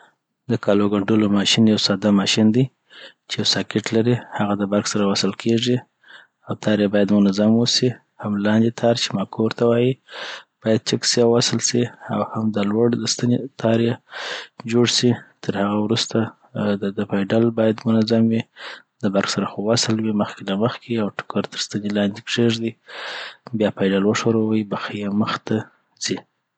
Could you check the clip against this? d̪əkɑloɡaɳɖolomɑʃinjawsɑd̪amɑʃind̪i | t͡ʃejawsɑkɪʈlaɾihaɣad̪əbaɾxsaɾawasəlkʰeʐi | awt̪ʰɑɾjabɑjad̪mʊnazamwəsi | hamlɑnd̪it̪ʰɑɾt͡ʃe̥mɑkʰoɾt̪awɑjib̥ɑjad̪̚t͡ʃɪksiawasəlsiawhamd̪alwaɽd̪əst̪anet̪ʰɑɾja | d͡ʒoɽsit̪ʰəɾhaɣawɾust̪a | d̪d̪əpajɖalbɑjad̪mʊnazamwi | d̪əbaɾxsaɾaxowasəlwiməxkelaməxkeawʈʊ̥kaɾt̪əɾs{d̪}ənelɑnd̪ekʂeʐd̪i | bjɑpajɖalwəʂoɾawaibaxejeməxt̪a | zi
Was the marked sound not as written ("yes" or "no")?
yes